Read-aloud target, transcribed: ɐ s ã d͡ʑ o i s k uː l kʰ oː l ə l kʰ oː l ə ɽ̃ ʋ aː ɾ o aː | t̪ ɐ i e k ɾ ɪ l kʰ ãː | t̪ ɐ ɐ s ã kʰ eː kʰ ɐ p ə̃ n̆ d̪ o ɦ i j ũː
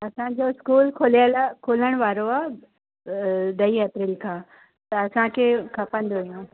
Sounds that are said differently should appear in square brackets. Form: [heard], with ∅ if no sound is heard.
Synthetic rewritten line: ɐ s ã d͡ʑ o [ɪ] s k uː l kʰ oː l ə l kʰ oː l ə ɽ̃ ʋ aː ɾ o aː | [d̪] ɐ i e [p] ɾ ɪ l kʰ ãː | t̪ ɐ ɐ s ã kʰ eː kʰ ɐ p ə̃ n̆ d̪ o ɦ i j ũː

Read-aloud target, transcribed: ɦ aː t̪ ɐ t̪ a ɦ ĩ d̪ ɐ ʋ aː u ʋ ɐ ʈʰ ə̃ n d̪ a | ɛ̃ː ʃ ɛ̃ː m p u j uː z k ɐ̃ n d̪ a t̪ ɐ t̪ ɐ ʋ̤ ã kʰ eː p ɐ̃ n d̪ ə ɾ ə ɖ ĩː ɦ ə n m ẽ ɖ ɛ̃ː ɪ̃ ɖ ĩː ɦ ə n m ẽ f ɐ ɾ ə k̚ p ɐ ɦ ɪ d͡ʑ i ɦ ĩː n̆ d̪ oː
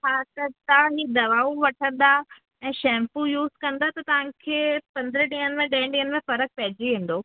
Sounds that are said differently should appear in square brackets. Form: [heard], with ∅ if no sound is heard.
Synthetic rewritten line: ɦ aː t̪ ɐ t̪ a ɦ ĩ d̪ ɐ ʋ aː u ʋ ɐ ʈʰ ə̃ n d̪ a | ɛ̃ː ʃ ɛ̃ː m p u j uː z k ɐ̃ n d̪ a t̪ ɐ t̪ ɐ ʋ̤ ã kʰ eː p ɐ̃ n d̪ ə ɾ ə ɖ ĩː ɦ ə n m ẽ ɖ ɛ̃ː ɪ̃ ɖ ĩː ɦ ə n m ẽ f ɐ ɾ ə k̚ p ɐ ɦ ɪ d͡ʑ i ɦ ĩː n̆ d̪ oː

